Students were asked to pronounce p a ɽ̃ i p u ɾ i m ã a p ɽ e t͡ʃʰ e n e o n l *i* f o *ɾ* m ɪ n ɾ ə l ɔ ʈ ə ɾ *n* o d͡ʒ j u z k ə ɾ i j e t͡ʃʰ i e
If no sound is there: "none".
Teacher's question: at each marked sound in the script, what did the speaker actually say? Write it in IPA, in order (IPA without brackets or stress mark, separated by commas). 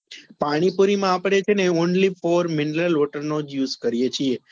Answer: i, ɾ, n